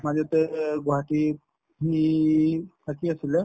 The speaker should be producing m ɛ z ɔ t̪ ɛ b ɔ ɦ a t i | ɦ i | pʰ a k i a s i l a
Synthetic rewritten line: m a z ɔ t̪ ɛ ɡ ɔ ɦ a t i | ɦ i | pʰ a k i a s i l ɛ